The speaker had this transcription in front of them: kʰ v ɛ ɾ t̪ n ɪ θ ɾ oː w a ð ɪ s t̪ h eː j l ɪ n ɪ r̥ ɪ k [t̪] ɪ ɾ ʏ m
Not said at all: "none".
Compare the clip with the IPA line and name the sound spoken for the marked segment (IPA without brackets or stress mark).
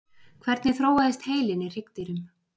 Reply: t̪